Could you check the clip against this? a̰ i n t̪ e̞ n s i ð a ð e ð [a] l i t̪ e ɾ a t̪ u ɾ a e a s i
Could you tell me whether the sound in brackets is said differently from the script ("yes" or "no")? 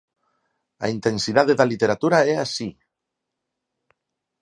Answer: no